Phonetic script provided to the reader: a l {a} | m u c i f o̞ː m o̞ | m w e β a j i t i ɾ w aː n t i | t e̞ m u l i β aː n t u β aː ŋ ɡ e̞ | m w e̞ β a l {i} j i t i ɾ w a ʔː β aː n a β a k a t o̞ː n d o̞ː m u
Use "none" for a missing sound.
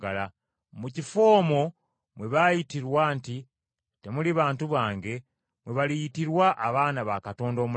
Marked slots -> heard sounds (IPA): a, i

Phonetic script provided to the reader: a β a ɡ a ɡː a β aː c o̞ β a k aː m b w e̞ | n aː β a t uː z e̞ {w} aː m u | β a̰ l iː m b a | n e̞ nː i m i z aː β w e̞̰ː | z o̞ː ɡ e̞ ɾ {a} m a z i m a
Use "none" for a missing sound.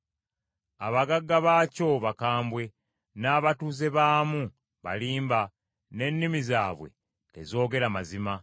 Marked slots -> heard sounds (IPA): β, a

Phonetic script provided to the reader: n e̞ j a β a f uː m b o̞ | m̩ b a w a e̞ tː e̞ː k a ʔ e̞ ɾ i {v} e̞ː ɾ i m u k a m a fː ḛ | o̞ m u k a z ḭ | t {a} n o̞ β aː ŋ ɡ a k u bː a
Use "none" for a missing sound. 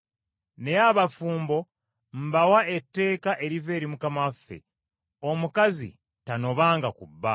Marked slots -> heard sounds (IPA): v, a

